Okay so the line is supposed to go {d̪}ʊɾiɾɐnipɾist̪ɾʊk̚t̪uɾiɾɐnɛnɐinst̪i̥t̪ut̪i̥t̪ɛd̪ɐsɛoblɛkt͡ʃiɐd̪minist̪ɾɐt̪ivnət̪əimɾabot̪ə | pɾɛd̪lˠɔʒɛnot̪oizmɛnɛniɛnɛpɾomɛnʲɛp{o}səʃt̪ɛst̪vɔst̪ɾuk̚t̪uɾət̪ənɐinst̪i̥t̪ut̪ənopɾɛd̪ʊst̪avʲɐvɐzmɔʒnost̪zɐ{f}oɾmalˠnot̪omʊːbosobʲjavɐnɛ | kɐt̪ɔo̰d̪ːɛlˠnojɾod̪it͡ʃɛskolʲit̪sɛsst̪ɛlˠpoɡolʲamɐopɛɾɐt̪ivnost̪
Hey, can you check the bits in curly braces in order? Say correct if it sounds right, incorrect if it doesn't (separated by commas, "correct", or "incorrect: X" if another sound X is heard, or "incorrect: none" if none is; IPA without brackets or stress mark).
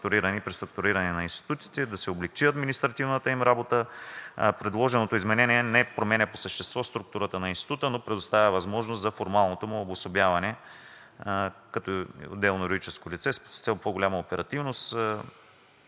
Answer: incorrect: t̪, correct, correct